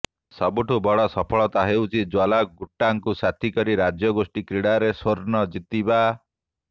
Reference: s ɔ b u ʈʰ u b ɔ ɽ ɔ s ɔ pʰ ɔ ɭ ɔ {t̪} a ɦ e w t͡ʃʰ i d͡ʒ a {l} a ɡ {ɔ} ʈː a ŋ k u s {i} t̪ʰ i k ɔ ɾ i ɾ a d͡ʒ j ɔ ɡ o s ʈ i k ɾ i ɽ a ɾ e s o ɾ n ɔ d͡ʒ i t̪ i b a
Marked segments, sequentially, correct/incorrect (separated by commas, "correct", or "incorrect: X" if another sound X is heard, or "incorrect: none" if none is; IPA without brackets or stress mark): correct, correct, incorrect: u, incorrect: a